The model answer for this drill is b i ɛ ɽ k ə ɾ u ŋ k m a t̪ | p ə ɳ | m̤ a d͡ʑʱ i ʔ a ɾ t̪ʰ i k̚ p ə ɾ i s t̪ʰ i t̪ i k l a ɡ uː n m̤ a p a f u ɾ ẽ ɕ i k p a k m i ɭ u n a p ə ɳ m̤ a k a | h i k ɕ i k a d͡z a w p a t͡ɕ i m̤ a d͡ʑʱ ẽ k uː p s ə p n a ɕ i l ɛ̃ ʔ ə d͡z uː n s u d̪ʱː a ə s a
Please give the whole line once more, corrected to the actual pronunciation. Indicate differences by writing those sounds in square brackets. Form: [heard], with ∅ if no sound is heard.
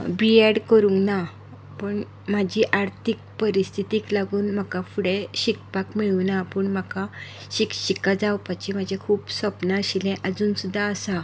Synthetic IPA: b i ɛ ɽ k ə ɾ u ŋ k [n] a [∅] | p ə ɳ | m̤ a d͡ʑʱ i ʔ a ɾ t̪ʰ i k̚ p ə ɾ i s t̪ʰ i t̪ i k l a ɡ uː n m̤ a [k] a f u [ɽ] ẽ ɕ i k p a k m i ɭ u n a p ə ɳ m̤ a k a | [ɕ] i k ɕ i k a d͡z a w p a t͡ɕ i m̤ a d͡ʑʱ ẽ [kʰ] uː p s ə p n a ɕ i l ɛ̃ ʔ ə d͡z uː n s u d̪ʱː a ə s a